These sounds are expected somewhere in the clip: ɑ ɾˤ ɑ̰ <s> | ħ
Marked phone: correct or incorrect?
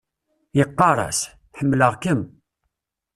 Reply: correct